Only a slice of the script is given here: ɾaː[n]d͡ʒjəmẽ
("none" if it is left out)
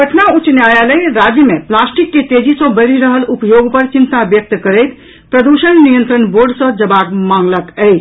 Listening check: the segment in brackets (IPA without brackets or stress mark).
none